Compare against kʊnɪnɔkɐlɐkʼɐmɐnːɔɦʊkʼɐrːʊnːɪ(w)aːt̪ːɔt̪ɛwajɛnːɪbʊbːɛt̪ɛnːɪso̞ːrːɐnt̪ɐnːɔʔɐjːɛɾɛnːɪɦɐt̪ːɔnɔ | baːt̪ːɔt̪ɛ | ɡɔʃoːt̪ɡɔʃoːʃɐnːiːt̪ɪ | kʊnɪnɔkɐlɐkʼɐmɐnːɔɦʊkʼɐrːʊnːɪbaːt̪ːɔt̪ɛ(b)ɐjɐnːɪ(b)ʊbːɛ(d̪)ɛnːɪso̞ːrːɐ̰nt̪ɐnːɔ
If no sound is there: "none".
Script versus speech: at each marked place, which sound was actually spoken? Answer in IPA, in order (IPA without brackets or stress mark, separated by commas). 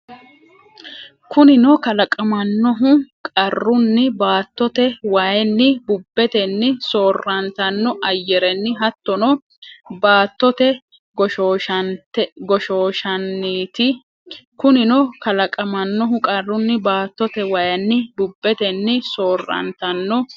b, w, b, t̪